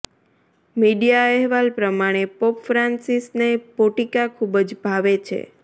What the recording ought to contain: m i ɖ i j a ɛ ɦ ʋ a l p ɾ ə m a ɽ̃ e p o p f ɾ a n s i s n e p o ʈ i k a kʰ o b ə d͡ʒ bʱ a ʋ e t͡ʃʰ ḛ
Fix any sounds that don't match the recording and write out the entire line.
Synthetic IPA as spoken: m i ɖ i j a ɛ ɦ ʋ a l p ɾ ə m a ɽ̃ e p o p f ɾ a n s i s n e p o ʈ i k a kʰ u b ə d͡ʒ bʱ a ʋ e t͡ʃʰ ḛ